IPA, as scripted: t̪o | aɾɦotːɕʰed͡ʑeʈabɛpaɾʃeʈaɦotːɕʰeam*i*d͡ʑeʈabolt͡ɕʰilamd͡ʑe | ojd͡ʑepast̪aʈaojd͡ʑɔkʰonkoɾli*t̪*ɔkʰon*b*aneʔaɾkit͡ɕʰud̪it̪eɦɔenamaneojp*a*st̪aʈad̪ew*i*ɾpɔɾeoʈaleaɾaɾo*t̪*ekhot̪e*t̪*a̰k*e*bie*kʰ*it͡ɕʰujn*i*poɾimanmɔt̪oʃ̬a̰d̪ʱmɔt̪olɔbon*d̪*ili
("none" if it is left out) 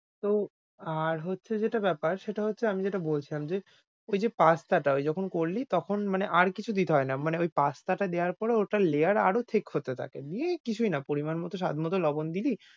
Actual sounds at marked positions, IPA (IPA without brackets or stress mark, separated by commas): i, t̪, m, a, a, t̪ʰ, t̪ʰ, e, k, a, d̪